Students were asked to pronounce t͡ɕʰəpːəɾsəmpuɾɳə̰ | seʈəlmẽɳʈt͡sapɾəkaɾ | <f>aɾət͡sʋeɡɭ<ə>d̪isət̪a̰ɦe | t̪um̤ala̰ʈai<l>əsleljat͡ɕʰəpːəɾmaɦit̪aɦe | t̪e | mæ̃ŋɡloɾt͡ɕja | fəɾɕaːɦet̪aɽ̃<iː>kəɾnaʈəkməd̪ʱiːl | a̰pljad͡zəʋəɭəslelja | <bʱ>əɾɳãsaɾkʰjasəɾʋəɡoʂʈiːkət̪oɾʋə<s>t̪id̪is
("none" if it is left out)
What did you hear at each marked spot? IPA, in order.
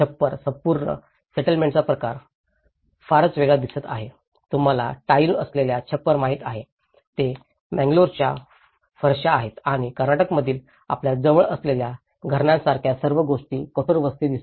f, a, l, i, ɡʱ, s

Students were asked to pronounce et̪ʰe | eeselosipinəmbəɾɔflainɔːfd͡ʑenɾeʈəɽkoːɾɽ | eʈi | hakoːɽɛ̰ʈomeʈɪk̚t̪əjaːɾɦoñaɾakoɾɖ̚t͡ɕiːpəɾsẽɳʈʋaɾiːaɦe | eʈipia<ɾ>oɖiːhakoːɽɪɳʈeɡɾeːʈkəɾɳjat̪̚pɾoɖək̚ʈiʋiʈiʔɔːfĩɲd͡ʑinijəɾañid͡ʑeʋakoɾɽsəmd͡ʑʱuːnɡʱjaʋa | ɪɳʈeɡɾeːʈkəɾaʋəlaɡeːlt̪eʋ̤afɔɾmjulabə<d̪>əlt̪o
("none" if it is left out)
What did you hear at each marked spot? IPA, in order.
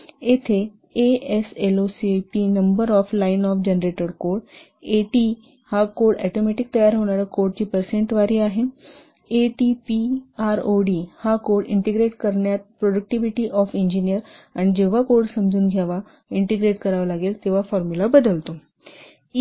ɾ, d̪

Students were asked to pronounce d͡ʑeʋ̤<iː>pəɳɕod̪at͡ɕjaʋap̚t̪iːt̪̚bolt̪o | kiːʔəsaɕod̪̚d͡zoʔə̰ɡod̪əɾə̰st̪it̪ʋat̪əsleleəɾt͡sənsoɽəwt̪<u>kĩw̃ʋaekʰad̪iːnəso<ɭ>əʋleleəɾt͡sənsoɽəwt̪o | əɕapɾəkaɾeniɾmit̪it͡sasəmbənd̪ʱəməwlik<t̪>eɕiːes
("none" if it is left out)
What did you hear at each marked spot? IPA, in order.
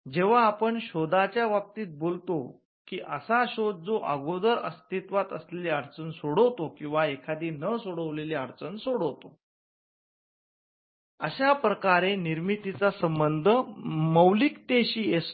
aː, o, ɽ, t̪

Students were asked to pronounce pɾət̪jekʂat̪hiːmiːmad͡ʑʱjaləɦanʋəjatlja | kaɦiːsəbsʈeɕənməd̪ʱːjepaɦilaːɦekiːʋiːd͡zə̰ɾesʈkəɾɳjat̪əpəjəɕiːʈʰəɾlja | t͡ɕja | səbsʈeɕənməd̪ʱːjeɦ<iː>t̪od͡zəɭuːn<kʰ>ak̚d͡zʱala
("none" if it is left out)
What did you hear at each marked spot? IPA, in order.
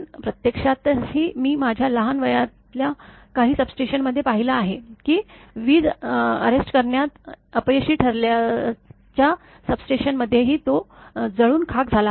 iː, kʰ

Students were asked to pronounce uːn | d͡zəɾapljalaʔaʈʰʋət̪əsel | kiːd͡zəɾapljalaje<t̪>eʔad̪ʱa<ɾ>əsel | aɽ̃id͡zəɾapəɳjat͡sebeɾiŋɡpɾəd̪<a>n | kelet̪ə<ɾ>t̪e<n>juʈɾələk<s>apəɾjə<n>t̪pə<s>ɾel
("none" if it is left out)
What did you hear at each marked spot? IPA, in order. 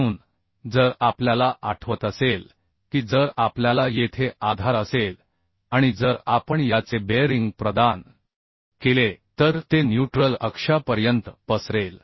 t̪ʰ, ɾ, a, ɾ, n, ʂ, n, s

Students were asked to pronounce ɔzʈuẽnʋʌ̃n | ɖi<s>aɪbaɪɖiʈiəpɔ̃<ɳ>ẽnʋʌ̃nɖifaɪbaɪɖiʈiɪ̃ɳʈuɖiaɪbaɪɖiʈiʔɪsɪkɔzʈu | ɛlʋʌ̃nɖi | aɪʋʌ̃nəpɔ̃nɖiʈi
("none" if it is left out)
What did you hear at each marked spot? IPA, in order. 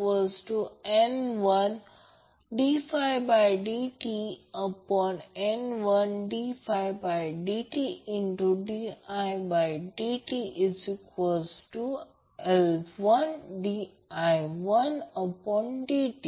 f, n

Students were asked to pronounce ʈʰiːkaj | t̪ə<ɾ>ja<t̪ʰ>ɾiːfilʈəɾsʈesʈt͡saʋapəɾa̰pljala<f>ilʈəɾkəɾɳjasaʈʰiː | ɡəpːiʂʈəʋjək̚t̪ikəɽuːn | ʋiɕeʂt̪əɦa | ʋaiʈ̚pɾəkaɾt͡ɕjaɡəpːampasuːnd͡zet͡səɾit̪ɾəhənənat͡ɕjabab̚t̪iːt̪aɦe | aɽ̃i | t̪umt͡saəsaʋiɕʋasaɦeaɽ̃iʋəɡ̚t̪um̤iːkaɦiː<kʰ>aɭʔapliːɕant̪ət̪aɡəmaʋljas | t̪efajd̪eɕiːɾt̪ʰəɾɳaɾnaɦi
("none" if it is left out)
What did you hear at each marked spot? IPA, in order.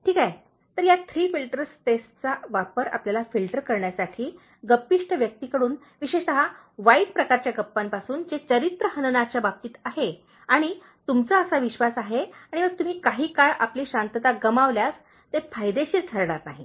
ɾ, t̪ʰ, f, k

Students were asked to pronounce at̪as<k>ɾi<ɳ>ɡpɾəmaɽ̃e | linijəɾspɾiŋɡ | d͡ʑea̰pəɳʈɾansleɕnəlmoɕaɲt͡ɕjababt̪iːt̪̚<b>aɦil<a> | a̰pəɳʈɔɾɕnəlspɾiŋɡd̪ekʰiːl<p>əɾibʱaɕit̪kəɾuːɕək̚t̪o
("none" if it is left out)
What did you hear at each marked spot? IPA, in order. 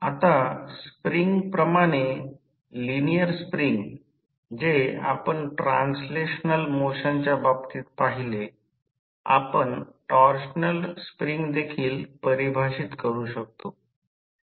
p, ŋ, p, e, p

